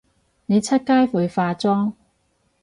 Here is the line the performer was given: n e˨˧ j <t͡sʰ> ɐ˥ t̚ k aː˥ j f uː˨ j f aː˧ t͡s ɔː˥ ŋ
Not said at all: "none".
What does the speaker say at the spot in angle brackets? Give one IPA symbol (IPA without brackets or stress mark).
t͡sʰ